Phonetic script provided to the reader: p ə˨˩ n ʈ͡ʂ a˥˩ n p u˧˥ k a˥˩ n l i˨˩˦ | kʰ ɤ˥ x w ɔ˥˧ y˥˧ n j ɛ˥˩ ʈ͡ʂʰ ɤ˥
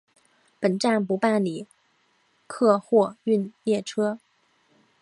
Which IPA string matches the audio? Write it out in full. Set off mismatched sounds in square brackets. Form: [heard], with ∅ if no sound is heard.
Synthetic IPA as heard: p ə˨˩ n ʈ͡ʂ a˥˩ n p u˧˥ [p] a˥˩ n l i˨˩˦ | kʰ [ɤ˥˧] x w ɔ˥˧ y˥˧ n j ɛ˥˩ ʈ͡ʂʰ ɤ˥